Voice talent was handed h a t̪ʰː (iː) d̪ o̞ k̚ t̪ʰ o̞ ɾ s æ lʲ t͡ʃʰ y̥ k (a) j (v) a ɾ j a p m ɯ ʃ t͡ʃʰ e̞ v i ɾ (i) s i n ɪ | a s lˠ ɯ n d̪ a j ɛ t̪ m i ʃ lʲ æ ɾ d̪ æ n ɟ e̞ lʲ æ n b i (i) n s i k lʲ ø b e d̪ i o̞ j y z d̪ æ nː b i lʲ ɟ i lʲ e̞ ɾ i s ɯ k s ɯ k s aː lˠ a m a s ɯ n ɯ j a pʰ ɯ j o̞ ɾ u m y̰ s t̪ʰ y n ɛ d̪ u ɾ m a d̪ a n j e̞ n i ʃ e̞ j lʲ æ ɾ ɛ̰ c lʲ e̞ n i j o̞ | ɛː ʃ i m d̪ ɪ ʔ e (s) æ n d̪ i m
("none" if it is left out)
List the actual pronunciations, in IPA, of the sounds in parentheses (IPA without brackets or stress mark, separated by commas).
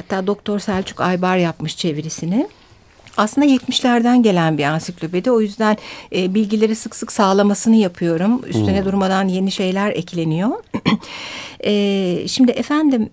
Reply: aː, a, b, i, a, f